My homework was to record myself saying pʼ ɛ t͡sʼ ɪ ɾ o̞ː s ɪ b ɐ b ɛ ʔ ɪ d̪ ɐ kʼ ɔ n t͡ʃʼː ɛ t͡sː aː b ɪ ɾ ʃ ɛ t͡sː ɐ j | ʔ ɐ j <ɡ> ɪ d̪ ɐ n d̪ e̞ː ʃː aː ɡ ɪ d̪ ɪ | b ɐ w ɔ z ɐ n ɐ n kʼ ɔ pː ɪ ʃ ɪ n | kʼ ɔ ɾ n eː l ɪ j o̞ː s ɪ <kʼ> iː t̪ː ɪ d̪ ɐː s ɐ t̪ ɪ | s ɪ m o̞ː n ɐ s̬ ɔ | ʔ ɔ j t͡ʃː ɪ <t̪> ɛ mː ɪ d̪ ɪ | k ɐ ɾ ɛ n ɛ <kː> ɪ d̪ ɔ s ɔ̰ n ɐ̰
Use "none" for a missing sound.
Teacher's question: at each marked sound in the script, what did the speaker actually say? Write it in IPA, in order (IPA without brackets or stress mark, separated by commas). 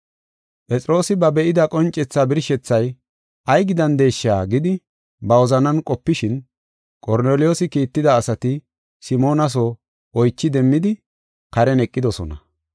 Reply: ɡ, k, d̪, kʼː